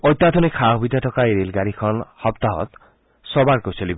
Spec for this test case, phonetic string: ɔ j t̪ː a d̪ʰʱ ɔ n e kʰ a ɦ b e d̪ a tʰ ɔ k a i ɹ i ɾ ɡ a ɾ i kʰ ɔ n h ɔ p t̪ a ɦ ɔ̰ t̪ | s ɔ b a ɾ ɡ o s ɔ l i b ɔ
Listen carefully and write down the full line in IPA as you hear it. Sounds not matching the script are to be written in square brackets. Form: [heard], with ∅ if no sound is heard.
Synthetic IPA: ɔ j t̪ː a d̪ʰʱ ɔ n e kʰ a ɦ b [i] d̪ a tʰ ɔ k a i [ɾ] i [l] ɡ a ɾ i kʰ ɔ n h ɔ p t̪ a ɦ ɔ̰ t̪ | s ɔ b a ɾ [k] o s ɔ l i b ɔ